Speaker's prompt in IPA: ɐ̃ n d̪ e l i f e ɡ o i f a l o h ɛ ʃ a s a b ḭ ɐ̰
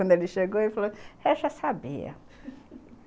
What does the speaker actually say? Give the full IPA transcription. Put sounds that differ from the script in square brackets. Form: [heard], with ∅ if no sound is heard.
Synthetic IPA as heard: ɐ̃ n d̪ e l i [ʃ] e ɡ o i f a l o h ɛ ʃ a s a b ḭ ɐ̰